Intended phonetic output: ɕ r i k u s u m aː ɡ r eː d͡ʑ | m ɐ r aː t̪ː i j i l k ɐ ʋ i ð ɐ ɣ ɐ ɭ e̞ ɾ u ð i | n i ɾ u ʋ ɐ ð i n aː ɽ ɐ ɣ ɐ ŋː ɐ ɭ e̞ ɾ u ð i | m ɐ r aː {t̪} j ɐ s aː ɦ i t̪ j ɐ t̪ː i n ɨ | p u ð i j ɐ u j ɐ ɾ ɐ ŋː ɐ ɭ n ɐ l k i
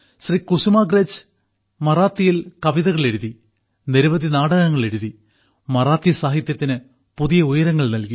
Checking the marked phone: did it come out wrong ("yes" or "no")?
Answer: no